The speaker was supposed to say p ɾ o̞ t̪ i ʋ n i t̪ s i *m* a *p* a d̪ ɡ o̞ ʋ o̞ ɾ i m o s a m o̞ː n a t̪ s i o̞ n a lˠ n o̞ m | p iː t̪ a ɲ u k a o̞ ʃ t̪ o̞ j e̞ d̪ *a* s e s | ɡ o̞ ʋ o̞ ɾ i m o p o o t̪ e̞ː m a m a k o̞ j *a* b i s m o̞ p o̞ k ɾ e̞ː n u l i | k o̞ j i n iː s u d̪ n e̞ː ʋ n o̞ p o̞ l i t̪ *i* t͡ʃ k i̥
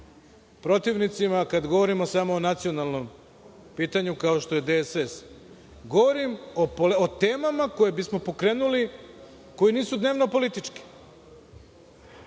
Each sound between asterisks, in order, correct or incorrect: correct, incorrect, incorrect, incorrect, correct

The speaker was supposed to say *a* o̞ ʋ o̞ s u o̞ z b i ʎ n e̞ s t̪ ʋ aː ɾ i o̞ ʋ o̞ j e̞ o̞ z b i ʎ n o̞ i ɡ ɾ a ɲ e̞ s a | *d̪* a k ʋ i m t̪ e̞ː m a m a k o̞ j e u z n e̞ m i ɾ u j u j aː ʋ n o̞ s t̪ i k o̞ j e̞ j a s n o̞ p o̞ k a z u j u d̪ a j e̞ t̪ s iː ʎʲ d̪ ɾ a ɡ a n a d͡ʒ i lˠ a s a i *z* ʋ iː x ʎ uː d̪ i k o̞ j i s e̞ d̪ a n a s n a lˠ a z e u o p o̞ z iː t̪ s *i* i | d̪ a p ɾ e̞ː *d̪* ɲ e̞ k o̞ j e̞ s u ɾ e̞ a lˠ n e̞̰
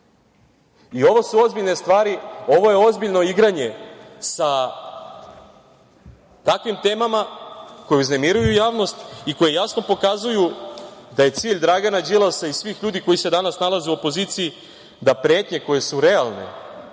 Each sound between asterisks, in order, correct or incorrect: incorrect, incorrect, incorrect, correct, incorrect

